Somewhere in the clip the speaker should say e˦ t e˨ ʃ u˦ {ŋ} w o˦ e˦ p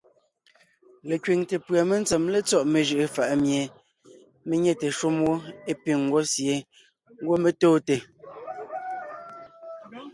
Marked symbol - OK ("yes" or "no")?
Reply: no